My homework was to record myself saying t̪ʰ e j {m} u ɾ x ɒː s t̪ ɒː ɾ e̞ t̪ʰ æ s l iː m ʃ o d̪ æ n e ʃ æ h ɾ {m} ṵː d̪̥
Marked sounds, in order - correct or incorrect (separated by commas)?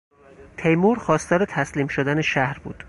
correct, incorrect